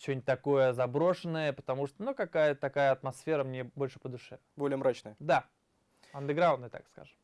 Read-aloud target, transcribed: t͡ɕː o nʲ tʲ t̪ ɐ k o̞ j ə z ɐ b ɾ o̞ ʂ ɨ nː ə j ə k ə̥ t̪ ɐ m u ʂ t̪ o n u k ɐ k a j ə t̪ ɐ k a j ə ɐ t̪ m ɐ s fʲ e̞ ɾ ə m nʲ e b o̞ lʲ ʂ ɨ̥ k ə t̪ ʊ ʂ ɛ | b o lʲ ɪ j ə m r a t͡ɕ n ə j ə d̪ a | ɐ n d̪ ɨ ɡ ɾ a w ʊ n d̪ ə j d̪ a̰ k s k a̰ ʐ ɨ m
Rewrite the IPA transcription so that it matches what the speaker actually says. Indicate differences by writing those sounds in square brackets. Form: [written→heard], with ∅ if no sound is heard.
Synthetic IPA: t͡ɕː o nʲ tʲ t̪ ɐ k o̞ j ə z ɐ b ɾ o̞ ʂ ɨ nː ə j ə [k→p] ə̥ t̪ ɐ m u ʂ t̪ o n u k ɐ k a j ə t̪ ɐ k a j ə ɐ t̪ m ɐ s fʲ e̞ ɾ ə m nʲ e b o̞ lʲ ʂ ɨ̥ [k→p] ə [t̪→d̪] ʊ ʂ ɛ | b o lʲ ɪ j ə m [r→ɾ] a t͡ɕ n ə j ə d̪ a | ɐ n d̪ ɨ ɡ ɾ a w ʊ n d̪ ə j [d̪→t̪] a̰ k s k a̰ ʐ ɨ m